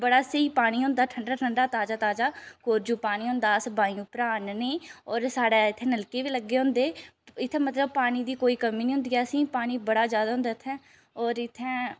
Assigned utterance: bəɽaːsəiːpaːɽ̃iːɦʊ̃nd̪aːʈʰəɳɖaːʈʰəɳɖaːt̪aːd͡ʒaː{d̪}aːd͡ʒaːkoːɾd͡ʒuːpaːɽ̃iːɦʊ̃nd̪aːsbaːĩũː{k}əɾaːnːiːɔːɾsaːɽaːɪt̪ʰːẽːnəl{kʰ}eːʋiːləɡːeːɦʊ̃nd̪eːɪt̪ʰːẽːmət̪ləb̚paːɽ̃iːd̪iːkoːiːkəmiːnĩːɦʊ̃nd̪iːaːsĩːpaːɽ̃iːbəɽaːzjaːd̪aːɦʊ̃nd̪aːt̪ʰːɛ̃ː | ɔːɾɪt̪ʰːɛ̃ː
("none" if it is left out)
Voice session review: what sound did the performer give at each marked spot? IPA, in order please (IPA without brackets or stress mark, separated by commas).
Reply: t̪, p, k